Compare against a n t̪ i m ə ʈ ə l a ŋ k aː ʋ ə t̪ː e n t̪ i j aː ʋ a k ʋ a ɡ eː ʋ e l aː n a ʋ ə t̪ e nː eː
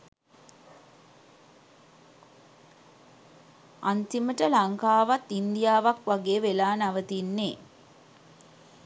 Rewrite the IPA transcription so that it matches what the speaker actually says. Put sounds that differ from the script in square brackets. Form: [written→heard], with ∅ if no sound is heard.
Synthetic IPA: a n t̪ i m ə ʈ ə l a ŋ k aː ʋ [ə→a] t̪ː [e→i] n [t̪→d̪] i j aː ʋ a k ʋ a ɡ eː ʋ e l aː n a ʋ ə t̪ [e→i] nː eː